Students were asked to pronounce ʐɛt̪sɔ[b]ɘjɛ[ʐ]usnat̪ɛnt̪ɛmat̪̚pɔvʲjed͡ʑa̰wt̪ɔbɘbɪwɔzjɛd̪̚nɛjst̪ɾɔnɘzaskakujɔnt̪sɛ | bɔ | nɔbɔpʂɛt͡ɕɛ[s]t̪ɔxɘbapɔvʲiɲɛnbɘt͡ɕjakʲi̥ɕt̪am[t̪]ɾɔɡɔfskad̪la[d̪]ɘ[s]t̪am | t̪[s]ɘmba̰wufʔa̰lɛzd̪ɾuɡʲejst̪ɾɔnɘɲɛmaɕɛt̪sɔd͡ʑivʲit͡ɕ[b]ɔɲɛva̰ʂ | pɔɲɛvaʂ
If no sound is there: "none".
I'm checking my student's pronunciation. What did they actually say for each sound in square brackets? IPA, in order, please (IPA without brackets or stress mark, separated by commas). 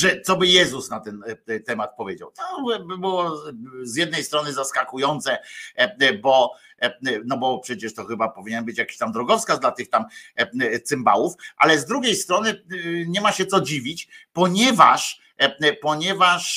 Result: b, z, ʂ, d̪, t̪, x, s, p